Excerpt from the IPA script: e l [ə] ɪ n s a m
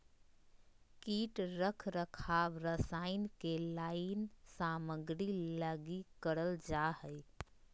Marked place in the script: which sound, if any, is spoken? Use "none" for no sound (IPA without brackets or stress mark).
a